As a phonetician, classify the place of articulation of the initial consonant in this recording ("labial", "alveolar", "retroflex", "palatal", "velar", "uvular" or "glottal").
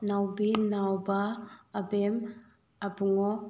alveolar